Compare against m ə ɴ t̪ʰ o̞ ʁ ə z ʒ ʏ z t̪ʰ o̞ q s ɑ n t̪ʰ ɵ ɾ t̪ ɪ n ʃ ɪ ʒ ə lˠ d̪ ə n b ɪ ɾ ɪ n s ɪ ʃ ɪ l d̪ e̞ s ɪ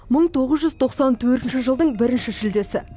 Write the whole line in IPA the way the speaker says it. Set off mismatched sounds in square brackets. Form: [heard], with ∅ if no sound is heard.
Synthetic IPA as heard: m ə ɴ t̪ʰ o̞ ʁ ə z ʒ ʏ z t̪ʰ o̞ q s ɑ n t̪ʰ ɵ ɾ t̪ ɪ n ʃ ɪ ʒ ə lˠ d̪ ə [ɴ] b ɪ ɾ ɪ n [ʃ] ɪ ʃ ɪ l d̪ e̞ s ɪ